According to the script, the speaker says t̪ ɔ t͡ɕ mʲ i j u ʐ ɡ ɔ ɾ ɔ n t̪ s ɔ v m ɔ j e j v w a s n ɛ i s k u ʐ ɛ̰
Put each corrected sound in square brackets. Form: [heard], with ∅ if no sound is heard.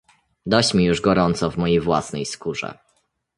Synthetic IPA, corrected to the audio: [d̪] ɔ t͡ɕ mʲ i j u ʐ ɡ ɔ ɾ ɔ n t̪ s ɔ v m ɔ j e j v w a s n ɛ [j] s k u ʐ ɛ̰